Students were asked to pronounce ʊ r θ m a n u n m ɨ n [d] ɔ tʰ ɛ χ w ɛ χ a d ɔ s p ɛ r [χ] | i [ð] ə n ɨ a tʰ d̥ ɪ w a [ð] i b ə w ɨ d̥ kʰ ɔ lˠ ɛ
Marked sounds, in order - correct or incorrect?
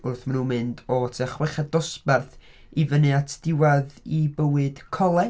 correct, incorrect, incorrect, correct

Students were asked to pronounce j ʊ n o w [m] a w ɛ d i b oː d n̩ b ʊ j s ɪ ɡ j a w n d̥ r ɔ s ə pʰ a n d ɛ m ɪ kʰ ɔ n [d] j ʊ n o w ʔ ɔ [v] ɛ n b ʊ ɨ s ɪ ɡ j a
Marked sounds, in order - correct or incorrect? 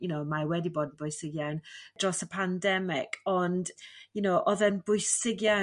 correct, correct, incorrect

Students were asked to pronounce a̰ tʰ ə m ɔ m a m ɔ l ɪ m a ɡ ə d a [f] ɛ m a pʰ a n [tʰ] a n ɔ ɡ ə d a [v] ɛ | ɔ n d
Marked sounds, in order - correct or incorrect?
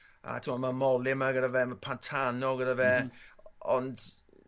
incorrect, correct, correct

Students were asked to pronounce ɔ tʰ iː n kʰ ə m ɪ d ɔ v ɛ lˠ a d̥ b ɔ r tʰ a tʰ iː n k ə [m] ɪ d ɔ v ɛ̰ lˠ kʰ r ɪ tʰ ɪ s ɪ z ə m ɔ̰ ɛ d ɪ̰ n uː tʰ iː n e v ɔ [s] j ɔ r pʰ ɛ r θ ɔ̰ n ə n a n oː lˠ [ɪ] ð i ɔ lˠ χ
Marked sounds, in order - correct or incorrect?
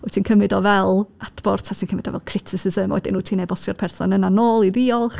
correct, correct, incorrect

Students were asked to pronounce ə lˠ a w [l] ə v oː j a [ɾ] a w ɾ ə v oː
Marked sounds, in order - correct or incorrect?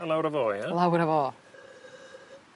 incorrect, incorrect

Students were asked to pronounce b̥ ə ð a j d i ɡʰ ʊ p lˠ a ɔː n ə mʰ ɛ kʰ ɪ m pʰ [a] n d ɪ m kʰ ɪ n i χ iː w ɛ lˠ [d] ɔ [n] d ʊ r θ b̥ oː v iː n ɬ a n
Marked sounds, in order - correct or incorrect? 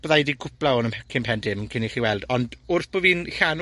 incorrect, correct, correct

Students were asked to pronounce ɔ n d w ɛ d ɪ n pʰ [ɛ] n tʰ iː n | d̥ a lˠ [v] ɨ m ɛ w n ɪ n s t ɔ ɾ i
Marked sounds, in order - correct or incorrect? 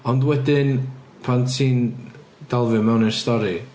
incorrect, correct

